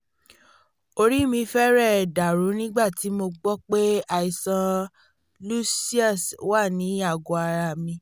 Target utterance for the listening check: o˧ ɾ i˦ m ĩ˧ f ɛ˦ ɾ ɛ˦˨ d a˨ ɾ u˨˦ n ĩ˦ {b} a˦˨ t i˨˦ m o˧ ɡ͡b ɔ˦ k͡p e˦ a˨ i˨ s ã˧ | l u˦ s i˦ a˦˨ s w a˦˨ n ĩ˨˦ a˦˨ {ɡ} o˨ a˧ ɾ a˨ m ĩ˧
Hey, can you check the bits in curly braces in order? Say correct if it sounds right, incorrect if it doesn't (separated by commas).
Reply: incorrect, correct